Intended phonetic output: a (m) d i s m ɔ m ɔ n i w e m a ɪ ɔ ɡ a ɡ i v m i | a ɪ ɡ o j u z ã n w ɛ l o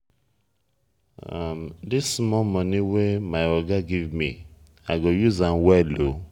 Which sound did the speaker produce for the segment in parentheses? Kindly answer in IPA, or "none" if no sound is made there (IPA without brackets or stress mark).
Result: m